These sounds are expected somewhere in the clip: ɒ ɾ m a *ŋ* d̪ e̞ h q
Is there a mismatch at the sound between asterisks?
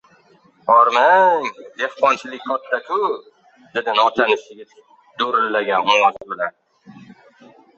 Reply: no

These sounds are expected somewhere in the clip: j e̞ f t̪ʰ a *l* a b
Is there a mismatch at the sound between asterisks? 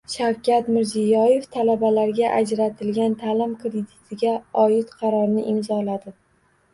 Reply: no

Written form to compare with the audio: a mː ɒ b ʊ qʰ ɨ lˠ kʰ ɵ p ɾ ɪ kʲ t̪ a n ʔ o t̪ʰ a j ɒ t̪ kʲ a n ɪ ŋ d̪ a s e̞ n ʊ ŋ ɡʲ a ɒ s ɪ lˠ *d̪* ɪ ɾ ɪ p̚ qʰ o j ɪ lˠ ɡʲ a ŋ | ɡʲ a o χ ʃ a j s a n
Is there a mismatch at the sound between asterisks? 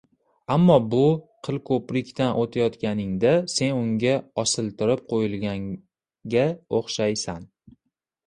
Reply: yes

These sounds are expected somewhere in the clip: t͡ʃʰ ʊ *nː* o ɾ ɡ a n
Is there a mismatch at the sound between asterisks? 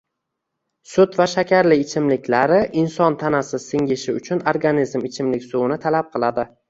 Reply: yes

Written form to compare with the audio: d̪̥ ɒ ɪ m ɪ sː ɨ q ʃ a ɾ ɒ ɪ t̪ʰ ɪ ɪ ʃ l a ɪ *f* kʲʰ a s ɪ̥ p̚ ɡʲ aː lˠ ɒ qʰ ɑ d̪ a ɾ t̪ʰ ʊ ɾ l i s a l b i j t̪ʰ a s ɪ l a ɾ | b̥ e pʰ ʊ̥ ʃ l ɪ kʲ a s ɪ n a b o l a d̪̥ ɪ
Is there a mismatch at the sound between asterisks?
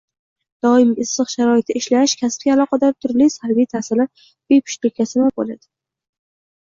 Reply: yes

